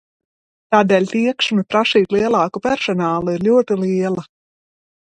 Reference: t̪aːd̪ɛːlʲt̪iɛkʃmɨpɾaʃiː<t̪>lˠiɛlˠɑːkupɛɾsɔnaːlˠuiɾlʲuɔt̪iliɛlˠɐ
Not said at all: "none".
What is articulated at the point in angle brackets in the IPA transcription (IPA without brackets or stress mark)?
t̪